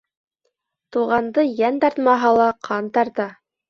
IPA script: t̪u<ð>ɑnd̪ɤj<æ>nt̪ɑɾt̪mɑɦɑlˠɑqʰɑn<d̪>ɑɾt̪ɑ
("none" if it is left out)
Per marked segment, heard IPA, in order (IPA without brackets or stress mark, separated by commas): ʁ, æ, t̪